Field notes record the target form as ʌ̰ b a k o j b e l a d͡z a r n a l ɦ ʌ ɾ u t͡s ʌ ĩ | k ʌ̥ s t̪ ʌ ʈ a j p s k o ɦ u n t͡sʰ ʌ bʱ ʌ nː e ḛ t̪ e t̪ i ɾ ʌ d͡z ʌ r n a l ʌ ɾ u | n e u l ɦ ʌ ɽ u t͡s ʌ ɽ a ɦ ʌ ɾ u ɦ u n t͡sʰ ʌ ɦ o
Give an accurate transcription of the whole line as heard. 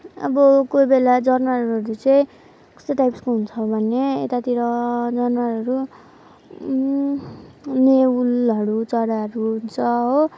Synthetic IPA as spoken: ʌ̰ b ʌ k o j b e l a d͡z ʌ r n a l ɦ ʌ ɾ u t͡s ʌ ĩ | k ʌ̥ s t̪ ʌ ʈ a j p s k o ɦ u n t͡sʰ ʌ bʱ ʌ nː e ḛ t̪ a t̪ i ɾ ʌ d͡z ʌ r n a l ʌ ɾ u | n e u l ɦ ʌ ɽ u t͡s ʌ ɽ a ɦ ʌ ɾ u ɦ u n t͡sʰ ʌ ɦ o